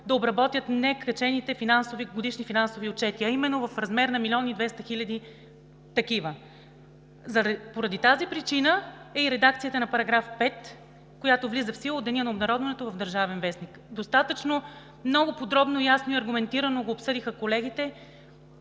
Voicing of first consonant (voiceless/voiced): voiced